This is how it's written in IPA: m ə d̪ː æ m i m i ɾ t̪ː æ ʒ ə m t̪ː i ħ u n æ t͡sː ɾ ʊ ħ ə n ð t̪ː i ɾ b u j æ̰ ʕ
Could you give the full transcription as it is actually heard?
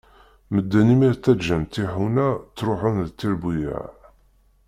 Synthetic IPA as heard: m ə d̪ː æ n i m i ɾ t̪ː æ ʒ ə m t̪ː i ħ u n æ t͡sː ɾ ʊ ħ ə n ð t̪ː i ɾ b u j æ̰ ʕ